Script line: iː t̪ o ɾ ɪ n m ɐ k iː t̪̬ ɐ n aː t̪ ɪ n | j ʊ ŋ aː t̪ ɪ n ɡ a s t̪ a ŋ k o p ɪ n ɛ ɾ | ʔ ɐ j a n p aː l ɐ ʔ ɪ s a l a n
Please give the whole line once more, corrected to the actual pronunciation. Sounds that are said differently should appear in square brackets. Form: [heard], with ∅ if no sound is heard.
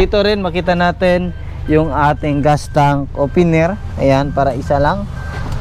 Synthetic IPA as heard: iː t̪ o ɾ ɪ n m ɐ k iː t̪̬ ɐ n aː t̪ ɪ n | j ʊ ŋ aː t̪ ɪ [ŋ] ɡ a s t̪ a ŋ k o p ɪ n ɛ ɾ | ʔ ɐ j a n p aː [ɾ] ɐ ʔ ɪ s a l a [ŋ]